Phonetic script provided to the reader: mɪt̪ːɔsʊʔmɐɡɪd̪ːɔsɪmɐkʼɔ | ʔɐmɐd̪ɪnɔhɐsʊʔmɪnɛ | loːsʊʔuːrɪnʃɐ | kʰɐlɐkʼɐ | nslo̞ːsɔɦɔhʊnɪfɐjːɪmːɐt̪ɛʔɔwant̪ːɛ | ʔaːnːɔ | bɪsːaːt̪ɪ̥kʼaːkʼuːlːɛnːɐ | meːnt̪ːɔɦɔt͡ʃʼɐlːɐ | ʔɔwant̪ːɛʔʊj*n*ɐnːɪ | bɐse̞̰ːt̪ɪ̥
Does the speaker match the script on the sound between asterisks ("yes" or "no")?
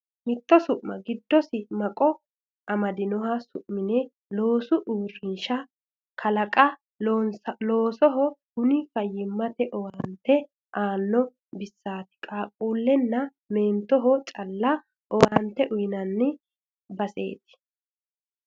yes